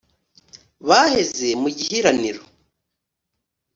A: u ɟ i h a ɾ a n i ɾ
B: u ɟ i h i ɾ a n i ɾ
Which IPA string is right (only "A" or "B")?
B